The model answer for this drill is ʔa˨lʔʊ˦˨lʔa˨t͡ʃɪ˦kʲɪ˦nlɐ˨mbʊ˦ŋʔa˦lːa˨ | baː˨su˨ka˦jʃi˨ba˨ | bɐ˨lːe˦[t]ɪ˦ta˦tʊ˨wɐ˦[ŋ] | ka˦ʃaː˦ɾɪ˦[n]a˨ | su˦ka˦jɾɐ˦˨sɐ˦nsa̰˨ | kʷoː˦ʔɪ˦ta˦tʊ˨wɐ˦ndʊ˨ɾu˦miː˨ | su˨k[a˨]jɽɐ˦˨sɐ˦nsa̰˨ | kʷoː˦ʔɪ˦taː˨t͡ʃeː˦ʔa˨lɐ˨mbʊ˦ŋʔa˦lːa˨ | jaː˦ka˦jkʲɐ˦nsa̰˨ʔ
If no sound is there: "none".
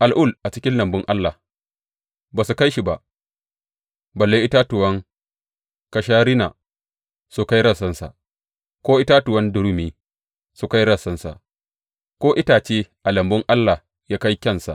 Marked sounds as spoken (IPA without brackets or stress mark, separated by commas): ʔ, ŋ, n, a˦